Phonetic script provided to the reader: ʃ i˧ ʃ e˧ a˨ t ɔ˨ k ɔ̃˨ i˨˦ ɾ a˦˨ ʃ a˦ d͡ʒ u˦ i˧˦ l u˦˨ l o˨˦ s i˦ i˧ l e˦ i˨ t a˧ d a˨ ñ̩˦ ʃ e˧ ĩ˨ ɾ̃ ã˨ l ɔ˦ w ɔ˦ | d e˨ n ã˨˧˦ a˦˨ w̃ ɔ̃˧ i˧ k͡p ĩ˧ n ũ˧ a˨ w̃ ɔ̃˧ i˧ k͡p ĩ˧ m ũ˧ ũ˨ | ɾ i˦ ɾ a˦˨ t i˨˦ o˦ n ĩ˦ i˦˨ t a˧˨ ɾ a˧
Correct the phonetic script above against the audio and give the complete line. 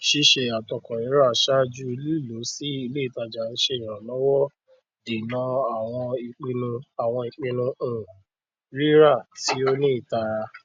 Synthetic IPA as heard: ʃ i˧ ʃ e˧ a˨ t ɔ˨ k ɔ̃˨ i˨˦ ɾ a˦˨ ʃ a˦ d͡ʒ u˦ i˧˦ l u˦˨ l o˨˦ s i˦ i˧ l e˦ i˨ t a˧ d͡ʒ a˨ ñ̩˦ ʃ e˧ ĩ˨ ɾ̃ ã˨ l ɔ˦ w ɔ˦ | d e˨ n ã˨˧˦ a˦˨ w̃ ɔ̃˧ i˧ k͡p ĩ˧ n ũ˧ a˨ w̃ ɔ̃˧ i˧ k͡p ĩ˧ n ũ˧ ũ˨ | ɾ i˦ ɾ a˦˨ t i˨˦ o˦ n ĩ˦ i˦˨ t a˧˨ ɾ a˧